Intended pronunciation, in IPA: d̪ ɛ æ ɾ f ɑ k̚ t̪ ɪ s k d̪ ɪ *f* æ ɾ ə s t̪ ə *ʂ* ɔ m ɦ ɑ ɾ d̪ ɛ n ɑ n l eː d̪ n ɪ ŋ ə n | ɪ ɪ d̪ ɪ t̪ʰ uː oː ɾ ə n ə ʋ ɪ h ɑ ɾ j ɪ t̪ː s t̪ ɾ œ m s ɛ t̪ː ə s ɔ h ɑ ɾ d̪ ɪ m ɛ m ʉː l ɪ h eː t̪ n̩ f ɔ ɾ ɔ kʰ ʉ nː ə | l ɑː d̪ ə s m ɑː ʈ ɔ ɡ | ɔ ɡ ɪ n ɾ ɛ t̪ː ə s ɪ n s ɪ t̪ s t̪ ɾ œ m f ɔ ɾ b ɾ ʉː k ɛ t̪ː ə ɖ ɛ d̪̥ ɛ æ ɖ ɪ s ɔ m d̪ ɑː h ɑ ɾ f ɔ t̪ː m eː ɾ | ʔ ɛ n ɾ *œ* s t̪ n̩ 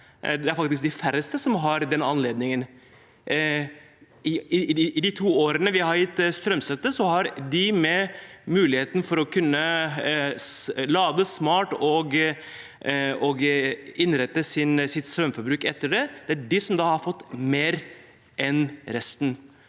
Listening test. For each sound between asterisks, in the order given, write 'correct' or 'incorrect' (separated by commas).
correct, incorrect, incorrect